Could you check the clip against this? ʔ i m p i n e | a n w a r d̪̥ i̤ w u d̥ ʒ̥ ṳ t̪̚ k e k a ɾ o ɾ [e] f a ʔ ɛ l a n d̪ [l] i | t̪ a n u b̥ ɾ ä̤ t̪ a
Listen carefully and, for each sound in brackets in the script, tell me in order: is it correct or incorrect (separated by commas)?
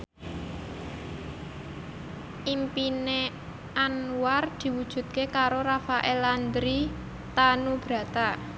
incorrect, incorrect